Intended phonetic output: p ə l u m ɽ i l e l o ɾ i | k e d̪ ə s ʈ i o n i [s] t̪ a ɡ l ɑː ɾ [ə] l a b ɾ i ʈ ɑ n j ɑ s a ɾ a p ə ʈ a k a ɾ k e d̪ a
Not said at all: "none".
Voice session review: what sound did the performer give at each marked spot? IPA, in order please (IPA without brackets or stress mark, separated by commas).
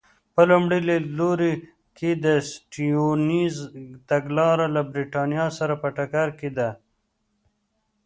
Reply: z, a